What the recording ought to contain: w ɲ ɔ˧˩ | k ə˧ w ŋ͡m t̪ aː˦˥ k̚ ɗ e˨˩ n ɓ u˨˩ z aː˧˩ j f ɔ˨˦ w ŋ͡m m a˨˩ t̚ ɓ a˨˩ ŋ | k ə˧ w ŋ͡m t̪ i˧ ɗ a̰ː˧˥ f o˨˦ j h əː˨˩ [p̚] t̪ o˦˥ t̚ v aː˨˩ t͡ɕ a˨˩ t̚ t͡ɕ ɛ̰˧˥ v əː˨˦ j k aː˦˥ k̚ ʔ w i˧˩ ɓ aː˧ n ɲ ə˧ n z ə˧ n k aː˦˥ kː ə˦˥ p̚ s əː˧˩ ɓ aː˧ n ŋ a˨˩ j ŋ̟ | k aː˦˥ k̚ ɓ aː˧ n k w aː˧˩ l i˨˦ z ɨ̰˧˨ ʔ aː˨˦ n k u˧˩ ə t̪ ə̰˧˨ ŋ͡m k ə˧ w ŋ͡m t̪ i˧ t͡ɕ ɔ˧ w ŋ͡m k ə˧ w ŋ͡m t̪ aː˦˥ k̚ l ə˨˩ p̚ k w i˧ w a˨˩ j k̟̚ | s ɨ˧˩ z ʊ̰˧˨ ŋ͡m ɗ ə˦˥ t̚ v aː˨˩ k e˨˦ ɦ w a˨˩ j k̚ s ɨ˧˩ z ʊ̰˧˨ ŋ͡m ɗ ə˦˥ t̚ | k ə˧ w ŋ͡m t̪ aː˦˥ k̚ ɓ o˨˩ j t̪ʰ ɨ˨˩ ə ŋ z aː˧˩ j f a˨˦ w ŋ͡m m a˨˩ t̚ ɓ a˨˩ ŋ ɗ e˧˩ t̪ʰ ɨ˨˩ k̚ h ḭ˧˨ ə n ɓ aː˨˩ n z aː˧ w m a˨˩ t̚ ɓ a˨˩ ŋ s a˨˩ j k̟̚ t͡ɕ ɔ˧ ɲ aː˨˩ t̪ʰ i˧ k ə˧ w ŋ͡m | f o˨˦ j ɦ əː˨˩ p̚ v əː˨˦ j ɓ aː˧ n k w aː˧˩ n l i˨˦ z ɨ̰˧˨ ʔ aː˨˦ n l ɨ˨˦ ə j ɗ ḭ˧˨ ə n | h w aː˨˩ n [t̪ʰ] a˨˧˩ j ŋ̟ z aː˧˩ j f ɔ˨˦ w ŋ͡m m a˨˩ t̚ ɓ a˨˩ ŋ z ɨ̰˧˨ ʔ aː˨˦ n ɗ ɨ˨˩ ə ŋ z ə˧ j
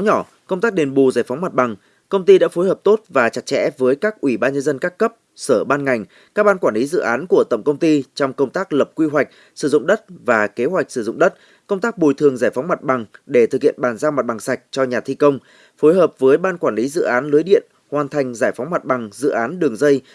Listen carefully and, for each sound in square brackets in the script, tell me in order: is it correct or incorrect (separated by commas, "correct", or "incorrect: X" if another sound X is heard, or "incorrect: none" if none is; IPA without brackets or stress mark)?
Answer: correct, correct